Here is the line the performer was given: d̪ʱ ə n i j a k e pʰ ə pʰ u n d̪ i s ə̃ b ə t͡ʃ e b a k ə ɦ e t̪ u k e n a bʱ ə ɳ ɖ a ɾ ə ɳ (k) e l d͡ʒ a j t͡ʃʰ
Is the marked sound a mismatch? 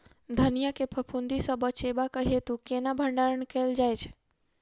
no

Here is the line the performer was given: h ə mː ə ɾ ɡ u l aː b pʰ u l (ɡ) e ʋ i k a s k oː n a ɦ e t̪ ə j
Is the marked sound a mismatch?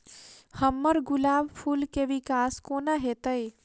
yes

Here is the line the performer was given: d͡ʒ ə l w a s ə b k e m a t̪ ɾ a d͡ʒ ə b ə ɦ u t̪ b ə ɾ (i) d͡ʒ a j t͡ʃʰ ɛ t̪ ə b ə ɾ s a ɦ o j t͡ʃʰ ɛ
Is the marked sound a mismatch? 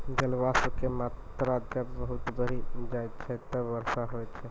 no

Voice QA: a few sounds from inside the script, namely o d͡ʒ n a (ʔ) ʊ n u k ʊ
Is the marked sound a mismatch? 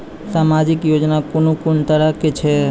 yes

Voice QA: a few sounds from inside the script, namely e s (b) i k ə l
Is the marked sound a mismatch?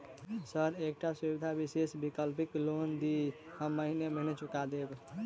no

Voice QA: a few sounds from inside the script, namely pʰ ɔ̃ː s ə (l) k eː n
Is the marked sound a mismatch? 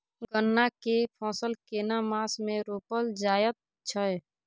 no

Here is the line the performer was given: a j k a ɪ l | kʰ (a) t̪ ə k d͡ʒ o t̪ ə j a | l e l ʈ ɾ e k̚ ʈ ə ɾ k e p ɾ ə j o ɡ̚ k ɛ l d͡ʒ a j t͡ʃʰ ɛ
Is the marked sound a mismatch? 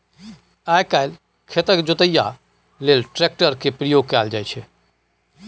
yes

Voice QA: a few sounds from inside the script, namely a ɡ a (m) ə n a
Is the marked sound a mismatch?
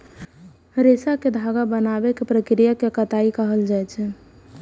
yes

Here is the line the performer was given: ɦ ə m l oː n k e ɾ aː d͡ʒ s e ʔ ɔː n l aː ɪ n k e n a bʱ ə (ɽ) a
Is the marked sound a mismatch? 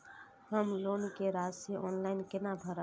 yes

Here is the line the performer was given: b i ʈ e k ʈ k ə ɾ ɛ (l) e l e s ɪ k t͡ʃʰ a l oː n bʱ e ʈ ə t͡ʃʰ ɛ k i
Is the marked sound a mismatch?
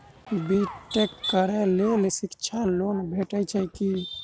no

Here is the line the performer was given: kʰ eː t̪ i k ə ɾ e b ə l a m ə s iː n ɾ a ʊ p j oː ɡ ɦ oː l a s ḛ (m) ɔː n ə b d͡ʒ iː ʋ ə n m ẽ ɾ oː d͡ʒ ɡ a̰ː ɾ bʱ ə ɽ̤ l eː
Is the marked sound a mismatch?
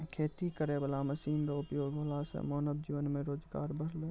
no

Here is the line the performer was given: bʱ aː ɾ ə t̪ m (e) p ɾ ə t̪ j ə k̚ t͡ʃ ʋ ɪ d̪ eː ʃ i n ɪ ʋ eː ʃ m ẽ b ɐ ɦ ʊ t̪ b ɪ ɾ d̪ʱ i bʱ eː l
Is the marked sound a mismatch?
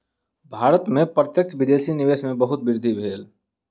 yes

